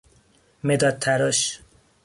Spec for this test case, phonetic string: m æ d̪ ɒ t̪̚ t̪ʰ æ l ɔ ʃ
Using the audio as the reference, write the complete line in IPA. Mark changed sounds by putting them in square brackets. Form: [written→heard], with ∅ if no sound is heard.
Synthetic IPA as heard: m [æ→e] d̪ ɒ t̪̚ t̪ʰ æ [l→ɾ] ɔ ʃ